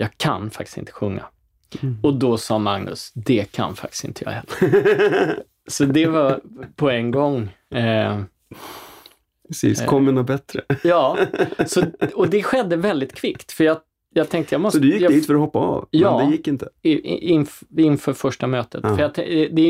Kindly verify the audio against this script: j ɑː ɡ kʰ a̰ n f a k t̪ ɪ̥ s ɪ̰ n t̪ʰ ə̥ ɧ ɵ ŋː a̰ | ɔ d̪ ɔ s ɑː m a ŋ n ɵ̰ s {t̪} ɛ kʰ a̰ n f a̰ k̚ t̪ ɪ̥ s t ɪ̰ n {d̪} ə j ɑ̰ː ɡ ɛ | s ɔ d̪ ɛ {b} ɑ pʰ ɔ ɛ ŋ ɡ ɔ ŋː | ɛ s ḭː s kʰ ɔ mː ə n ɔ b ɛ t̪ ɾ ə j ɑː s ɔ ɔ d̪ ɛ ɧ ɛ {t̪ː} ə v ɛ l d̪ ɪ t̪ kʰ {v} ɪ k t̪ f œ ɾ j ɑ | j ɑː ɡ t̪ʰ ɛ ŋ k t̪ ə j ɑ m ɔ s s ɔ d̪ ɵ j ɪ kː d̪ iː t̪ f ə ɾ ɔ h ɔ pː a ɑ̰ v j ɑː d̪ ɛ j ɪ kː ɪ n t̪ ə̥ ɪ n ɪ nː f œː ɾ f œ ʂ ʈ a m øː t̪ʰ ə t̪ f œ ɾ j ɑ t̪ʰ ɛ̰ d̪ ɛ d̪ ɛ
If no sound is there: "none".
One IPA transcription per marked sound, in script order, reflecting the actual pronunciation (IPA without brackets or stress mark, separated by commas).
d̪, t̪, v, d̪ː, v